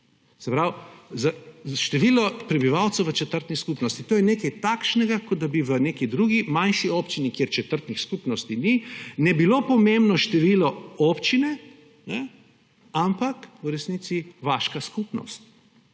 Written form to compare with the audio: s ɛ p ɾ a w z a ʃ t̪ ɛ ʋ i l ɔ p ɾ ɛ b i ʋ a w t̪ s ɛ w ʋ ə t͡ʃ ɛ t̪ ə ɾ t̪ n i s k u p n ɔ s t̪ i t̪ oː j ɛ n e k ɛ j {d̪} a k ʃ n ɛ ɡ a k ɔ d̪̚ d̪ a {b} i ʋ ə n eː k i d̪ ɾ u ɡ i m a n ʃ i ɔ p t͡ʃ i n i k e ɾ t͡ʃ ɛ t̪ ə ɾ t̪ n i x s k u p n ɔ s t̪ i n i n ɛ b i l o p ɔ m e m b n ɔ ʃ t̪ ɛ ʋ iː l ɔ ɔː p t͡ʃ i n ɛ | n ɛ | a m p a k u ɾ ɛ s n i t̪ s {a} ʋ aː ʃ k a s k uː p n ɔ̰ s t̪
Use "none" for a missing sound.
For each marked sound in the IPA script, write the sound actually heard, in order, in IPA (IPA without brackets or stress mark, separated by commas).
t̪, b, i